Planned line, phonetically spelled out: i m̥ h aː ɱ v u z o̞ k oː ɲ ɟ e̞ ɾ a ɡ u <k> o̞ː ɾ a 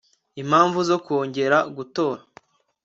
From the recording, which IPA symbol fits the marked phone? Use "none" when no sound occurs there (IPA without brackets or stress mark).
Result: t